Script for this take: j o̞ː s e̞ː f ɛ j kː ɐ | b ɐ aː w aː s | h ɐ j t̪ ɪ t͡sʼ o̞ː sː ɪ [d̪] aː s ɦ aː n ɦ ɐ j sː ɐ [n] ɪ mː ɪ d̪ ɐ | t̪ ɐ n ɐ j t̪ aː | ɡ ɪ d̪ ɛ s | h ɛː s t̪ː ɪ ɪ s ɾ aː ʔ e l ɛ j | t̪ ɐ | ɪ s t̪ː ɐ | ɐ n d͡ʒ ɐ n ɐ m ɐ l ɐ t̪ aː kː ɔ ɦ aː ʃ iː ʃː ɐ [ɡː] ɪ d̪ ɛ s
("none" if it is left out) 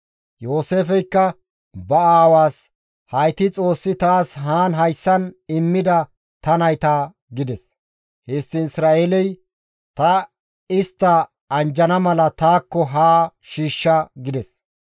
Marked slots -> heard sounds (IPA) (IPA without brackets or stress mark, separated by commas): t̪, n, ɡ